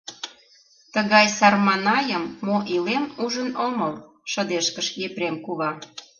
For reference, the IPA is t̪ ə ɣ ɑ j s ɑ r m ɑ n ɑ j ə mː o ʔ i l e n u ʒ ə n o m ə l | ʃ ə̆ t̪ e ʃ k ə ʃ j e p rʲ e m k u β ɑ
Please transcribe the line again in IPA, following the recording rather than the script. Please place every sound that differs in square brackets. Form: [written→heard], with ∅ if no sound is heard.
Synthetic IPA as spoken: t̪ ə ɣ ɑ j s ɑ r m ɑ n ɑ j ə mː o ʔ i l e [n→m] u ʒ ə n o m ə l | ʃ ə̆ [t̪→d̪] e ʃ k ə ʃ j e p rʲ e m k u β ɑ